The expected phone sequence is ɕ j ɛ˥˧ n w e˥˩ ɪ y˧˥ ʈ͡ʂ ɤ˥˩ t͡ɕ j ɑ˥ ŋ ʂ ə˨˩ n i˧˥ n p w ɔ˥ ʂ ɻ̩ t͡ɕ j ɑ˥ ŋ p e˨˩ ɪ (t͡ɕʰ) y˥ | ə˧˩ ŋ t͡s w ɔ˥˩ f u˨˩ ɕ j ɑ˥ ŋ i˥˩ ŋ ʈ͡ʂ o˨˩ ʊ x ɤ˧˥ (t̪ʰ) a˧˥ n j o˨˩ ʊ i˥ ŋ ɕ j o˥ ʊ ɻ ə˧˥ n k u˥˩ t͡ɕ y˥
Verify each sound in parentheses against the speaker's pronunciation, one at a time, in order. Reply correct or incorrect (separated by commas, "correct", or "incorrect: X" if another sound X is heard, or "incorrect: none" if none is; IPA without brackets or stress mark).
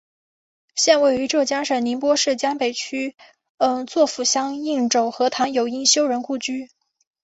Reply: correct, correct